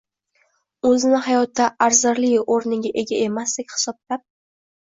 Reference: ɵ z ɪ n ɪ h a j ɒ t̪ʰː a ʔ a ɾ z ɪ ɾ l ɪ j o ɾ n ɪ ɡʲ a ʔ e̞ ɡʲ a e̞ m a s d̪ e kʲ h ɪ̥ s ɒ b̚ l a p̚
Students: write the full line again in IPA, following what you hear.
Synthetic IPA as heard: ɵ z ɪ n ɪ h a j ɒ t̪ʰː a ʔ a ɾ z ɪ ɾ l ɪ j o ɾ n ɪ ɡʲ a ʔ e̞ ɡʲ a e̞ m a s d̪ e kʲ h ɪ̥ s ɒ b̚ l a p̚